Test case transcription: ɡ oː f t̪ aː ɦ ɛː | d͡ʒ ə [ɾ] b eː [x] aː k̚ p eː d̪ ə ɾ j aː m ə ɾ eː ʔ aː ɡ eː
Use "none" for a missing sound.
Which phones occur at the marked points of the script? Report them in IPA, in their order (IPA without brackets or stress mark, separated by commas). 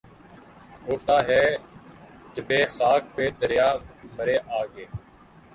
none, x